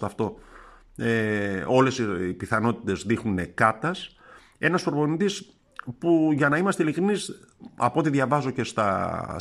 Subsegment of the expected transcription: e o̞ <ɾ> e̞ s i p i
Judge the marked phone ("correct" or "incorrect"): incorrect